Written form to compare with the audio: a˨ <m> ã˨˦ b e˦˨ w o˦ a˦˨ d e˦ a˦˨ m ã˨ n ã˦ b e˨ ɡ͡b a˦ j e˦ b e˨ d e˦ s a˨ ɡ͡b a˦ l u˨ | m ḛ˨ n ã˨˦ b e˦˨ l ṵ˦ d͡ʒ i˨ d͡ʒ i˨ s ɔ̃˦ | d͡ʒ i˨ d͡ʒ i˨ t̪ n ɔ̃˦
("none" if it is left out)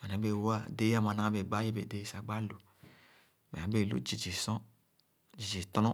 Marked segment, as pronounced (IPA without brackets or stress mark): n